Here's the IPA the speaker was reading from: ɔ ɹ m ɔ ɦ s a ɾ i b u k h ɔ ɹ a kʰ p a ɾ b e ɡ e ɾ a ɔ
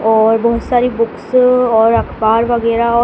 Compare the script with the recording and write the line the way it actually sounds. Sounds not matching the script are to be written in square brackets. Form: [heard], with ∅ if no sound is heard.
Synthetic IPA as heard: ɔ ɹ [b] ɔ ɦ s a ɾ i b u k [s] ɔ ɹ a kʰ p a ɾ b [a] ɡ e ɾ a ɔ